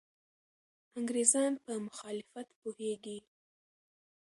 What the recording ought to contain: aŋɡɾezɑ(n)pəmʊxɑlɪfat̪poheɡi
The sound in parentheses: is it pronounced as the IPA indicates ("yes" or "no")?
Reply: yes